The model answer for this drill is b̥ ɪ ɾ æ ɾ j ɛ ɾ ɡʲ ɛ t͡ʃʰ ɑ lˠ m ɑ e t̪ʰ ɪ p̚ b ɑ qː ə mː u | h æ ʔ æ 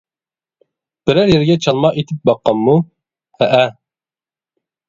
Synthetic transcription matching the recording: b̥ ɪ ɾ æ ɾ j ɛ ɾ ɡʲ ɛ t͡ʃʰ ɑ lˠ m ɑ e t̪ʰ ɪ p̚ b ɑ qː ɑ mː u | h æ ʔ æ